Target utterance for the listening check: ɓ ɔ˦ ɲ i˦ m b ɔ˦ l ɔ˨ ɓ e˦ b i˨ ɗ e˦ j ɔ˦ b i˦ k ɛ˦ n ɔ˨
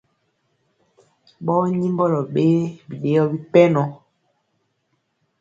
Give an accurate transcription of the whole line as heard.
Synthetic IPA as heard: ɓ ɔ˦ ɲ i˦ m b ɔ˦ l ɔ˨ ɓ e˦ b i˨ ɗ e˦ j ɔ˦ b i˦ p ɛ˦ n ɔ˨